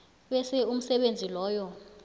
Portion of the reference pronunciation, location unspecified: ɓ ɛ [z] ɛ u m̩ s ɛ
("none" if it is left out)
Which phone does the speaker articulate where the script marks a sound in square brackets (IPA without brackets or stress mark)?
s